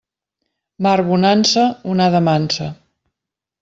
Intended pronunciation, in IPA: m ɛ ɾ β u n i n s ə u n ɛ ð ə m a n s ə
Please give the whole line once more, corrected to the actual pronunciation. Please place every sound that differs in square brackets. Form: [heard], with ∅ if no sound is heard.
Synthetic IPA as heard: m [a] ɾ β u n [a] n s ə u n [a] ð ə m a n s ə